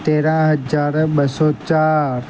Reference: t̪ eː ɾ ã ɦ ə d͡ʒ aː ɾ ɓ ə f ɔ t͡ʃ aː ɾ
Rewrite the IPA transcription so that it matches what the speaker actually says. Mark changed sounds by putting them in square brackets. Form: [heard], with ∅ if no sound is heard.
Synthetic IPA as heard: t̪ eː ɾ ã ɦ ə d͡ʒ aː ɾ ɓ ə [s] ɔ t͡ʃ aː ɾ